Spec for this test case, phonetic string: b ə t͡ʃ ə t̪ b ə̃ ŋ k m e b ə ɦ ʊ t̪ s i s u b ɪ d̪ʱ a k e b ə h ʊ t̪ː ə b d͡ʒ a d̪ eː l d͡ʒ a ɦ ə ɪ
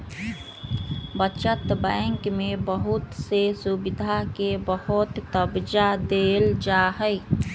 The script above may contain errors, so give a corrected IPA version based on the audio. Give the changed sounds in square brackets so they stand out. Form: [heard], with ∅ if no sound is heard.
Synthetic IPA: b ə t͡ʃ ə t̪ b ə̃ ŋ k m e b ə ɦ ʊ t̪ s [e] s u b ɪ d̪ʱ a k e b ə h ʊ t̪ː ə b d͡ʒ a d̪ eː l d͡ʒ a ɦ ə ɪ